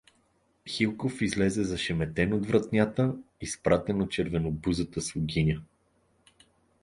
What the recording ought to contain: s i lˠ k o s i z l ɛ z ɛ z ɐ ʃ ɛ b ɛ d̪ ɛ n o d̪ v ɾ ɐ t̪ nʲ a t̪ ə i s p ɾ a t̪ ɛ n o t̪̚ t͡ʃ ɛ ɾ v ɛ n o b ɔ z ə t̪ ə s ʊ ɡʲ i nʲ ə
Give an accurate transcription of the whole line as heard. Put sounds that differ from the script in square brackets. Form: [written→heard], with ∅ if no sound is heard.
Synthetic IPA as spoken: [s→x] i lˠ k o [s→f] i z l ɛ z ɛ z ɐ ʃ ɛ [b→m] ɛ [d̪→t̪] ɛ n o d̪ v ɾ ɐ t̪ nʲ a t̪ ə i s p ɾ a t̪ ɛ n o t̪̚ t͡ʃ ɛ ɾ v ɛ n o b [ɔ→u] z ə t̪ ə s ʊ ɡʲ i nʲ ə